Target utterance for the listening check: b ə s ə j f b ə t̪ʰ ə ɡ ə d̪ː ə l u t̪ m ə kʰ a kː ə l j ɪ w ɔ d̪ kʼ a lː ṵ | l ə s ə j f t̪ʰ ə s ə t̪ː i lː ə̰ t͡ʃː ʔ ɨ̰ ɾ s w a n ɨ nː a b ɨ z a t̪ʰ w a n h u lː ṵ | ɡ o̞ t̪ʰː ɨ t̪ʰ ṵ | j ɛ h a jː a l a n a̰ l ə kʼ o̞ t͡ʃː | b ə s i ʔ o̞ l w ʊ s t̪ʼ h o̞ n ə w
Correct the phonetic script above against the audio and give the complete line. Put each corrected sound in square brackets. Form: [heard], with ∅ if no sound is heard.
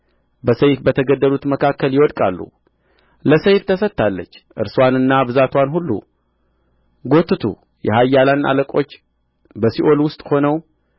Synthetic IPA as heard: b ə s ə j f b ə t̪ʰ ə ɡ ə d̪ː ə l u t̪ m ə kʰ a kː ə l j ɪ w ɔ d̪ kʼ a lː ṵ | l ə s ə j f t̪ʰ ə s ə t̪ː [a] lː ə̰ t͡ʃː ʔ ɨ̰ ɾ s w a n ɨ nː a b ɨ z a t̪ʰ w a n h u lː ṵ | ɡ o̞ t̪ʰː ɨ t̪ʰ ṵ | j ɛ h a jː a l a n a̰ l ə kʼ o̞ t͡ʃː | b ə s i ʔ o̞ l w ʊ s t̪ʼ h o̞ n ə w

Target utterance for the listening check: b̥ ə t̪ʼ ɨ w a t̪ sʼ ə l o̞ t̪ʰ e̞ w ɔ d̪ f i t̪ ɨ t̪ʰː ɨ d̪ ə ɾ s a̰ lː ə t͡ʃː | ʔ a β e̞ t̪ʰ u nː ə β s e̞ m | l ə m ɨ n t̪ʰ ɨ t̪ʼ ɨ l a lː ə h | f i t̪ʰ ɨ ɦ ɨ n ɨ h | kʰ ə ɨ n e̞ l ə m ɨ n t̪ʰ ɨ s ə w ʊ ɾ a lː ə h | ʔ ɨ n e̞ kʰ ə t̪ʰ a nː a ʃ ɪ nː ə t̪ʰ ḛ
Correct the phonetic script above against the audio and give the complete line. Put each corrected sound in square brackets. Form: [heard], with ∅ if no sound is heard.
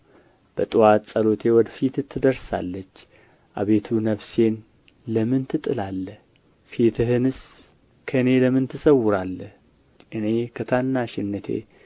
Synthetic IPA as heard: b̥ ə t̪ʼ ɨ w a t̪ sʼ ə l o̞ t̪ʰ e̞ w ɔ d̪ f i t̪ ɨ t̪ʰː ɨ d̪ ə ɾ s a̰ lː ə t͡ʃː | ʔ a β e̞ t̪ʰ u [n] ə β s e̞ [n] | l ə m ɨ n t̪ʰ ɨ t̪ʼ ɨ l a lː ə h | f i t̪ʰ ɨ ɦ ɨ n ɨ [s] | kʰ ə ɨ n e̞ l ə m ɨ n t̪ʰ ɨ s ə w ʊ ɾ a lː ə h | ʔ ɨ n e̞ kʰ ə t̪ʰ a nː a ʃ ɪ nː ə t̪ʰ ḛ

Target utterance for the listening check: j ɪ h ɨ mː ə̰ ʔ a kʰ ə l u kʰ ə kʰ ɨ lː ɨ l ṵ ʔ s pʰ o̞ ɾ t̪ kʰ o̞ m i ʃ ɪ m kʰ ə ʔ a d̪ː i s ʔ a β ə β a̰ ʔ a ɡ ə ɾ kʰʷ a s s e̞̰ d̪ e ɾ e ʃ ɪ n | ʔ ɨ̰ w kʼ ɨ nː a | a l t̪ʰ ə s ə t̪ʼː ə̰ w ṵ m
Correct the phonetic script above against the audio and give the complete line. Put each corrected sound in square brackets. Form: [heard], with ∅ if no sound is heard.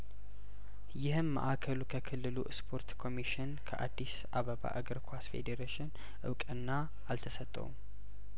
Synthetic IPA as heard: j ɪ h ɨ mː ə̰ ʔ a kʰ ə l u kʰ ə kʰ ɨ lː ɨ l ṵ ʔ s pʰ o̞ ɾ t̪ kʰ o̞ m i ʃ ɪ [n] kʰ ə ʔ a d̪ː i s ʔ a β ə β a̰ ʔ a ɡ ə ɾ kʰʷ a s [f] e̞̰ d̪ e ɾ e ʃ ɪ n | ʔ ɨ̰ w kʼ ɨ nː a | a l t̪ʰ ə s ə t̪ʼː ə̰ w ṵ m

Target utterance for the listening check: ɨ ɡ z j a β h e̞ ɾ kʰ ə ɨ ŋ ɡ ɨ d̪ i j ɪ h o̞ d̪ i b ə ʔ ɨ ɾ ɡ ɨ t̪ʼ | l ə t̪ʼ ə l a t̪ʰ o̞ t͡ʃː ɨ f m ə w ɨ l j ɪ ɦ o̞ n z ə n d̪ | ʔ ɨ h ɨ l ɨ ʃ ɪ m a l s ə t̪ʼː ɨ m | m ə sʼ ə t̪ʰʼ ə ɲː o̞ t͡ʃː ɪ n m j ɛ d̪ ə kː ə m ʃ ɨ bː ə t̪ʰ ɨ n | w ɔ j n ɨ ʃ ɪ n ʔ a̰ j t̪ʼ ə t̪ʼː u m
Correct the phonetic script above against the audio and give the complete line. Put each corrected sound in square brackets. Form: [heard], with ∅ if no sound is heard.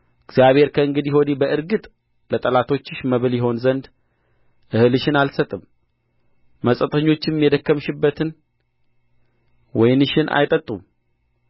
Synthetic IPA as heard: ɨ ɡ z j a β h e̞ ɾ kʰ ə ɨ ŋ ɡ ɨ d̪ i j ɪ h o̞ d̪ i b ə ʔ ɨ ɾ ɡ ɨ t̪ʼ | l ə t̪ʼ ə l a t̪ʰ o̞ t͡ʃː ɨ [ʃ] m ə [β] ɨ l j ɪ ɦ o̞ n z ə n d̪ | ʔ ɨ h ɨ l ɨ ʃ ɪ [n] a l s ə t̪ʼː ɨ m | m ə sʼ ə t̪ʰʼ ə ɲː o̞ t͡ʃː ɪ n m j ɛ d̪ ə kː ə m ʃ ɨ bː ə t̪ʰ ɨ n | w ɔ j n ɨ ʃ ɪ n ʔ a̰ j t̪ʼ ə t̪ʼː u m

